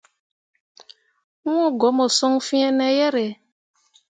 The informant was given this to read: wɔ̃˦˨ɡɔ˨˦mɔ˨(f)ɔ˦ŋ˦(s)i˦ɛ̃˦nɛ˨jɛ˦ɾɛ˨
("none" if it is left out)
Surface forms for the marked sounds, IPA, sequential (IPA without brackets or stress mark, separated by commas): s, f